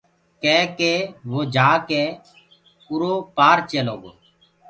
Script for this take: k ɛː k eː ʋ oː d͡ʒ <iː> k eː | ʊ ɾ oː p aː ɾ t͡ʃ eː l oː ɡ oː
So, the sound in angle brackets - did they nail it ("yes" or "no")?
no